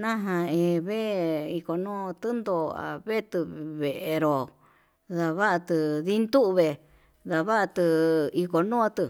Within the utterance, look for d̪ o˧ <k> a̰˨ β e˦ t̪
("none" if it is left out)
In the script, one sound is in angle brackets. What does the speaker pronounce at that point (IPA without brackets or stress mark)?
none